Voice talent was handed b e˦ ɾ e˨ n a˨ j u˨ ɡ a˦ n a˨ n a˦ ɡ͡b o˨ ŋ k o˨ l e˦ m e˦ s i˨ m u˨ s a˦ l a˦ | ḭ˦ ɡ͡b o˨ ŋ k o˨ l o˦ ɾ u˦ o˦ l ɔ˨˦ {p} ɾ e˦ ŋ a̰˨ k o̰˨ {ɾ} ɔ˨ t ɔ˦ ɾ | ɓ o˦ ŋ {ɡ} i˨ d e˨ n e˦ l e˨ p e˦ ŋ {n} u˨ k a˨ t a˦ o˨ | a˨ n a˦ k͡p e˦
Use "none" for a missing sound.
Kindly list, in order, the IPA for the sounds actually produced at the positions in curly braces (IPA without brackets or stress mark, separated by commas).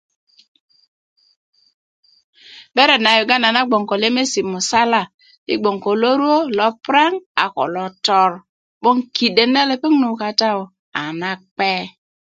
p, l, k, n